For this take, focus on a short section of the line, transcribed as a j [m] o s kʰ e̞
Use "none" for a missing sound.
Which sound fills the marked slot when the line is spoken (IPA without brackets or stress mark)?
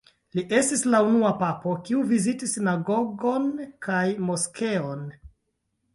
m